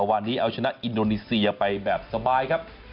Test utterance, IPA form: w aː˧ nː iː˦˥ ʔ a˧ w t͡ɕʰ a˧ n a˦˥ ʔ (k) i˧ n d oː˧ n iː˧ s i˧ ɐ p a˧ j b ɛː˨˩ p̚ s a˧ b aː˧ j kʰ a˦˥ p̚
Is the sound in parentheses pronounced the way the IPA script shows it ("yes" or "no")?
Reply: no